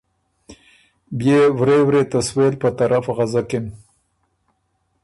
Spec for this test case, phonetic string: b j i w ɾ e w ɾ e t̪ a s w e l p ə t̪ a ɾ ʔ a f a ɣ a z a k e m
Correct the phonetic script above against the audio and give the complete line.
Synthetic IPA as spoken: b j e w ɾ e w ɾ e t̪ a s w e l p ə t̪ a ɾ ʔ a f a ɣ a z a k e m